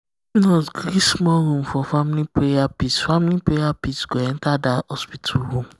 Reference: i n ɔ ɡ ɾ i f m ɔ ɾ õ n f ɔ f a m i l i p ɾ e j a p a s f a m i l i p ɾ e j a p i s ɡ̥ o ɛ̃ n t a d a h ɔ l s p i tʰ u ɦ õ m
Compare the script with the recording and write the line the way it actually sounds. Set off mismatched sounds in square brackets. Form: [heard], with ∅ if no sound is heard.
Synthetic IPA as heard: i n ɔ ɡ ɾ i [s] m ɔ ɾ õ [m] f ɔ f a m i l i p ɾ e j a p [i] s f a m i l i p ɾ e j a p i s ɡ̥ o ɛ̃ n t a d a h ɔ [∅] s p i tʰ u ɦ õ m